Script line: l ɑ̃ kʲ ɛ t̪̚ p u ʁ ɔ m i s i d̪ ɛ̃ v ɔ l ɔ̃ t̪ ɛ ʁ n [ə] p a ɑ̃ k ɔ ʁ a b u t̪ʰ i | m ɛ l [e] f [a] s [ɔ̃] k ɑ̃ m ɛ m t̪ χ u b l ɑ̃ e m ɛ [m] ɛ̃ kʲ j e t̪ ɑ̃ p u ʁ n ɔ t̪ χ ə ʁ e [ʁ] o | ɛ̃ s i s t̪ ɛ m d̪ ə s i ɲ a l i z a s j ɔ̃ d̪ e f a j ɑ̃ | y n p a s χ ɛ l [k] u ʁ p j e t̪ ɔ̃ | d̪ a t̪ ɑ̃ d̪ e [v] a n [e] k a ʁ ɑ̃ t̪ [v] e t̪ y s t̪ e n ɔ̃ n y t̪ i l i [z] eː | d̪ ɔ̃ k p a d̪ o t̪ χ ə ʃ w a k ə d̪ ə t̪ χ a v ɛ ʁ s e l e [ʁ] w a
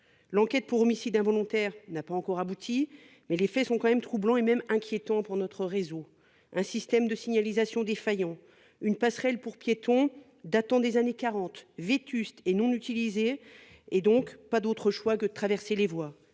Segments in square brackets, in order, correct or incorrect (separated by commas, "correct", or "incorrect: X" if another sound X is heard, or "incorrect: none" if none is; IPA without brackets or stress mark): incorrect: a, correct, incorrect: ɛ, correct, correct, incorrect: z, incorrect: p, incorrect: z, correct, correct, correct, incorrect: v